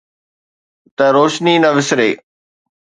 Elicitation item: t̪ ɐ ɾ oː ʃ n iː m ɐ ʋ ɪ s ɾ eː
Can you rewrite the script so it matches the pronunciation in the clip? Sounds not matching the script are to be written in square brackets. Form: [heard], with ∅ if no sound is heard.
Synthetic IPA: t̪ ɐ ɾ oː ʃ n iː [n] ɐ ʋ ɪ s ɾ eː